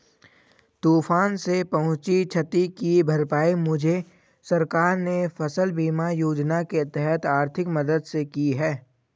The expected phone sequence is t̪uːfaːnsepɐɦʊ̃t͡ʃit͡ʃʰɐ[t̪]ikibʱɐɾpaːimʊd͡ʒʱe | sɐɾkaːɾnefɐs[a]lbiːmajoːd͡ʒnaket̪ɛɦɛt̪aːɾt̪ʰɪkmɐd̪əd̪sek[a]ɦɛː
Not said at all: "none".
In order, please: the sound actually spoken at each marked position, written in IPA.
t̪, ə, i

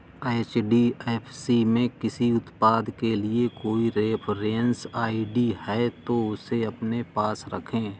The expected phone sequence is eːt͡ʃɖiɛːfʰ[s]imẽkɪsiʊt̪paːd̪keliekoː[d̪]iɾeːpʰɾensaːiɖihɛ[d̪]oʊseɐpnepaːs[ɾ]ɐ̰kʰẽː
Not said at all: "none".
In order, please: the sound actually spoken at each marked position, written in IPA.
s, none, t̪, ɾ

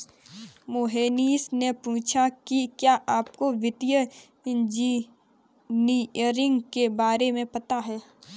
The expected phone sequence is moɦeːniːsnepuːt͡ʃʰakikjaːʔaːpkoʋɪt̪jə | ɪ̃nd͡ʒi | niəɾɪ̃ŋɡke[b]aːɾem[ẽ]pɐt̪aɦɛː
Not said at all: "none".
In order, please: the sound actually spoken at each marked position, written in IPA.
b, ẽ

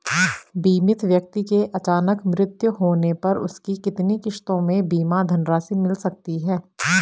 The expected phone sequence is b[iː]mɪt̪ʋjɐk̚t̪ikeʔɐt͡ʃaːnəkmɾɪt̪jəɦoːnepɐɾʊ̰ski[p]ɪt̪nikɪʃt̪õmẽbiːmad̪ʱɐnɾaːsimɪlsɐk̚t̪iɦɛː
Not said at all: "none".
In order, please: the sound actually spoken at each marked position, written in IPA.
iː, k

